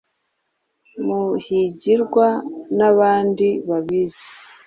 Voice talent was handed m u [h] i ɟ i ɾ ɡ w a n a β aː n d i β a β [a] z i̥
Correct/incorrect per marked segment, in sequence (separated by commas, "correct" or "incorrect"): correct, incorrect